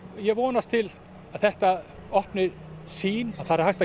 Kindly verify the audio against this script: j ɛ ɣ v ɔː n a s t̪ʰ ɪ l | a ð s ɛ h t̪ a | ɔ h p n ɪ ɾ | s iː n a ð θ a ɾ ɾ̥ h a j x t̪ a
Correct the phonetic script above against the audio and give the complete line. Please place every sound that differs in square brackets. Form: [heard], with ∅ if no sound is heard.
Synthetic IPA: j ɛ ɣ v ɔː n a s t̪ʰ ɪ l | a ð [θ] ɛ h t̪ a | ɔ h p n ɪ ɾ | s iː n a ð θ a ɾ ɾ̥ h a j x t̪ a